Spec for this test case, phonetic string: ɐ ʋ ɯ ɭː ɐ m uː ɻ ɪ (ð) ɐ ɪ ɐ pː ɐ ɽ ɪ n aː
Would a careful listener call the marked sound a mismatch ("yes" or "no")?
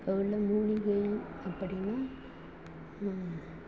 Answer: yes